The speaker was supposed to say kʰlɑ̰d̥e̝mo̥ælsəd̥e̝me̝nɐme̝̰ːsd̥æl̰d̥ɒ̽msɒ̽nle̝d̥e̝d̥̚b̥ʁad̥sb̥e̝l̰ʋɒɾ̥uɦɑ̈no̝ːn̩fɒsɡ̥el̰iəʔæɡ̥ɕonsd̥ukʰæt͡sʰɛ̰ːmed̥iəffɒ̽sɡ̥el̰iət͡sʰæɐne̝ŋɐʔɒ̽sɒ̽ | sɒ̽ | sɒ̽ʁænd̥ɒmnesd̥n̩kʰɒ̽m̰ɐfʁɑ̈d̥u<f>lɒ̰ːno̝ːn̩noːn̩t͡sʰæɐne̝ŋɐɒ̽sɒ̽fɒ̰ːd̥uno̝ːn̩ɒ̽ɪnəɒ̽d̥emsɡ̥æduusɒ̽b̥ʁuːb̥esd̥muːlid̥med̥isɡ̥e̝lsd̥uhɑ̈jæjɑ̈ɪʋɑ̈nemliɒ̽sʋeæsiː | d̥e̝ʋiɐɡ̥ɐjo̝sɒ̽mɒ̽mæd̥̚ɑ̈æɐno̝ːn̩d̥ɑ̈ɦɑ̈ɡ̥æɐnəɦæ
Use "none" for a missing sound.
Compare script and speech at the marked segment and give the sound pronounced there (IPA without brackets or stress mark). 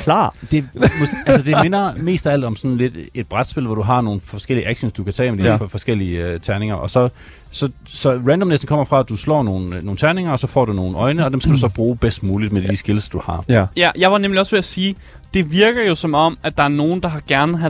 s